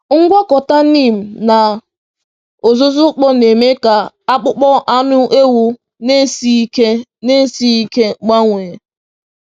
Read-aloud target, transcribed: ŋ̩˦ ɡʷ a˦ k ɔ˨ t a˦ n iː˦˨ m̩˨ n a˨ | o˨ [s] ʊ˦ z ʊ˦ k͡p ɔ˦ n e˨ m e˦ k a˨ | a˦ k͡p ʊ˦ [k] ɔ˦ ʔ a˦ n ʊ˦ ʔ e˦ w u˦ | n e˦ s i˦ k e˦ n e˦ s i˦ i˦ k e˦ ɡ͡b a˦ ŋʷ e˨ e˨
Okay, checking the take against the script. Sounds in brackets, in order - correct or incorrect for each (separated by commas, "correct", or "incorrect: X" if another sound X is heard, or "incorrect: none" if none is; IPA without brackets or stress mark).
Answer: incorrect: z, incorrect: k͡p